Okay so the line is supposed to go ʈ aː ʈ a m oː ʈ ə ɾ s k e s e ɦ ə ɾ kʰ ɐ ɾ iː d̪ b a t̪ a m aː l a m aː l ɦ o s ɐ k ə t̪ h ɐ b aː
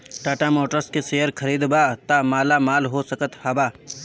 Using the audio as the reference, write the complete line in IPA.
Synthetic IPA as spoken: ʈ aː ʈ a m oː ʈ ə ɾ s k e s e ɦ ə ɾ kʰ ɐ ɾ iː d̪ b a t̪ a m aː l a m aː l ɦ o s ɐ k ə t̪ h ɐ b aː